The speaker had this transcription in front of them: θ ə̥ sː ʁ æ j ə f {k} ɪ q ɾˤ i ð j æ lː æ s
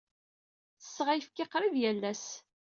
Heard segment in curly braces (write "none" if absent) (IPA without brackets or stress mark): k